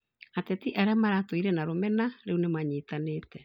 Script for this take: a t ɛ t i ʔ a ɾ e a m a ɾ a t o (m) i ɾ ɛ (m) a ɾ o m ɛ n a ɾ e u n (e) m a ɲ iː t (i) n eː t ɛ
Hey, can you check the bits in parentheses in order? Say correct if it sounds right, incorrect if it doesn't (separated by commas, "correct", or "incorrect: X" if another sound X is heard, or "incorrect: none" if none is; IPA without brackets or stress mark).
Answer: incorrect: none, incorrect: n, correct, incorrect: a